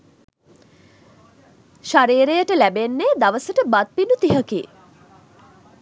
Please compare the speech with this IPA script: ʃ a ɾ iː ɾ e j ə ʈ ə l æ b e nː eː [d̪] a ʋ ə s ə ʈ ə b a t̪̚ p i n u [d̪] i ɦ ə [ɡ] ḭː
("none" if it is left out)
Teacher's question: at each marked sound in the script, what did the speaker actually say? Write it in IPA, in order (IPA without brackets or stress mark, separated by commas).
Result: d̪, t̪, k